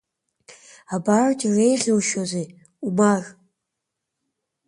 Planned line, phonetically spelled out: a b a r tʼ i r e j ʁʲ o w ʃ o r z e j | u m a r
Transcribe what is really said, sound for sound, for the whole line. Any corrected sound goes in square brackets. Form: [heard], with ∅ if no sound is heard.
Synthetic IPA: a b a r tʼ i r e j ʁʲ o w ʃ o [∅] z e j | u m a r